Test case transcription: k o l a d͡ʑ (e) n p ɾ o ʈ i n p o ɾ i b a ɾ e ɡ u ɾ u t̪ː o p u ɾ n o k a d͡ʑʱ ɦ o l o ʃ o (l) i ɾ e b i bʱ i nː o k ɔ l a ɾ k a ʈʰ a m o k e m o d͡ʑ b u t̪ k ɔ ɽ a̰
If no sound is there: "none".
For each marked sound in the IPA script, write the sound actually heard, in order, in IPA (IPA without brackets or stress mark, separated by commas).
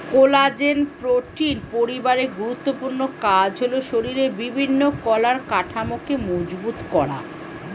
e, ɾ